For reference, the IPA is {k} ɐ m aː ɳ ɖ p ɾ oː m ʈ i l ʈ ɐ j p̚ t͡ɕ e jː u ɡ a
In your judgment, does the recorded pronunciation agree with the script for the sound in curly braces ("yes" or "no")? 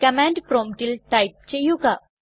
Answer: yes